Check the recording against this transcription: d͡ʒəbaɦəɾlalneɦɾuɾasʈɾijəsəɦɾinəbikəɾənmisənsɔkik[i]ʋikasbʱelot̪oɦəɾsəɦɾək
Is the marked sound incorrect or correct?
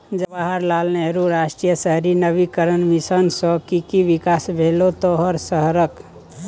correct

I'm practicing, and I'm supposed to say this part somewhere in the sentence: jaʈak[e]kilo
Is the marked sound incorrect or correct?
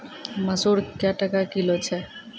incorrect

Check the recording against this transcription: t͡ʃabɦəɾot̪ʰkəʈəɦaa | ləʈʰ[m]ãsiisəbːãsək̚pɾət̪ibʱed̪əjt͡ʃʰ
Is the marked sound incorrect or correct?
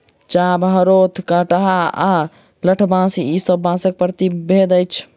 incorrect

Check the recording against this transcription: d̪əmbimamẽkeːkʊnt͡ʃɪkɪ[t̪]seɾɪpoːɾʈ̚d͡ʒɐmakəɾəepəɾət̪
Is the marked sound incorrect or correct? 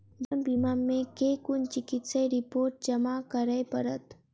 correct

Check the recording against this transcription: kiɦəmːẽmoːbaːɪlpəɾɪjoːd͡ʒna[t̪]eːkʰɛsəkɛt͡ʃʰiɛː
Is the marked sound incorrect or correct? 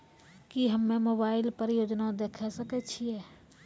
incorrect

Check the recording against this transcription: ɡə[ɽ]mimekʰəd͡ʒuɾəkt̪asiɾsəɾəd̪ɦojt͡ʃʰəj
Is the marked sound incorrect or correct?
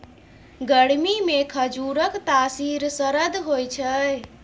correct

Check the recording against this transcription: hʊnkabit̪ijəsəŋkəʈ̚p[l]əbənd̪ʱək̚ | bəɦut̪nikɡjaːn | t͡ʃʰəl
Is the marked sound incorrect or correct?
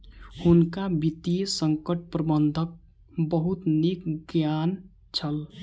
incorrect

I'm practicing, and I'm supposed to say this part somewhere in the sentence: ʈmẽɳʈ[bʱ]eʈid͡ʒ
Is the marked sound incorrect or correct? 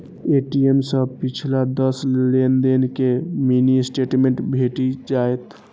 correct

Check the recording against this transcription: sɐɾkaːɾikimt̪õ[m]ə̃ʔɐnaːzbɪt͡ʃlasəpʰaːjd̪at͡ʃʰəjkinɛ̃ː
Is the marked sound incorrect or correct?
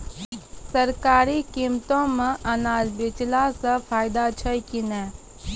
correct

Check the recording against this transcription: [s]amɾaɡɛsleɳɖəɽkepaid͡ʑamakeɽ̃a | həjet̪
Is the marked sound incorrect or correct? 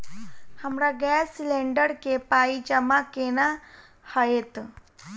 incorrect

